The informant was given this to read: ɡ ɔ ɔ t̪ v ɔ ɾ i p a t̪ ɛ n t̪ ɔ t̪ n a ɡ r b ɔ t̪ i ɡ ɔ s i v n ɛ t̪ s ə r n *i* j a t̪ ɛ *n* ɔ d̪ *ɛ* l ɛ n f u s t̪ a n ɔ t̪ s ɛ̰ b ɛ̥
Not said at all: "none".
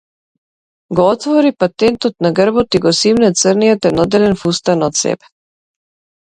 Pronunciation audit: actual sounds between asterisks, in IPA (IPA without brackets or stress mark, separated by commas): i, n, ɛ